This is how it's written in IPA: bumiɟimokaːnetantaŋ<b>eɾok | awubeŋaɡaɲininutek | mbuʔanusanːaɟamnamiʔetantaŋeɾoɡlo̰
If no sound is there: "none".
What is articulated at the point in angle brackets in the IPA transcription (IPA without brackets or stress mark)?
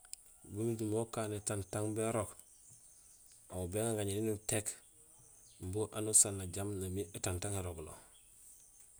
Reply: b